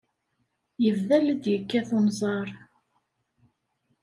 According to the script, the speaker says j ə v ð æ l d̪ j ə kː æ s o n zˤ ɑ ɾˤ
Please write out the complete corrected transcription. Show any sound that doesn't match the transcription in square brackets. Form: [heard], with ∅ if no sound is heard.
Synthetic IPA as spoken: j ə v ð æ l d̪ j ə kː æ [θ] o n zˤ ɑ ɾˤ